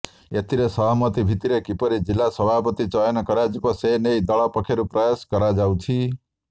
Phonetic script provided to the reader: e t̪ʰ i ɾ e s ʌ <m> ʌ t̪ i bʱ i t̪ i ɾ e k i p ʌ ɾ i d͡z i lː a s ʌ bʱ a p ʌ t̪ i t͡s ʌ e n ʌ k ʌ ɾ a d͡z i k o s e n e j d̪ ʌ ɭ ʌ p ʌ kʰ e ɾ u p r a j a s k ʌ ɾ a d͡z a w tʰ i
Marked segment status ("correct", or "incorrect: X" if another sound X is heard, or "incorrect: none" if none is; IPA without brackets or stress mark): correct